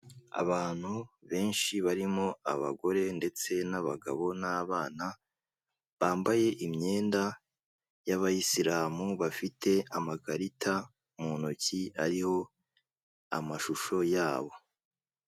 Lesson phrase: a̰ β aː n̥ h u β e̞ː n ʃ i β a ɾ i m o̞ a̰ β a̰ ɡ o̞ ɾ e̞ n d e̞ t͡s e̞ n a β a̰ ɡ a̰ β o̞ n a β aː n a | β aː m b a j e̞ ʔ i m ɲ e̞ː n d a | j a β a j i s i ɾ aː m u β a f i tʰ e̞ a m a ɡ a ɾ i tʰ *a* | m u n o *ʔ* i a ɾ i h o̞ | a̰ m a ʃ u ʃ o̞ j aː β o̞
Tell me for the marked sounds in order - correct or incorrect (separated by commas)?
correct, incorrect